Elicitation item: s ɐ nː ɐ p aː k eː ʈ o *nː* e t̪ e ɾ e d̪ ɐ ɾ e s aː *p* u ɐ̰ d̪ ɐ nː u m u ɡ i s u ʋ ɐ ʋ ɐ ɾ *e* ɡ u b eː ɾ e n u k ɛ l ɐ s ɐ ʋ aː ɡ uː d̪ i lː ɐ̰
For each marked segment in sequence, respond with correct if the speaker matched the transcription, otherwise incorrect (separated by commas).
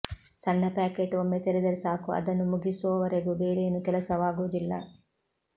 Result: incorrect, incorrect, correct